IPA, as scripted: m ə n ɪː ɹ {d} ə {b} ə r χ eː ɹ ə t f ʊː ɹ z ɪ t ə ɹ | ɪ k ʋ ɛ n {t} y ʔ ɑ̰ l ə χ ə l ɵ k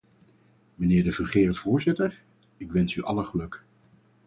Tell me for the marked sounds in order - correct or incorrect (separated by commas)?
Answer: correct, incorrect, incorrect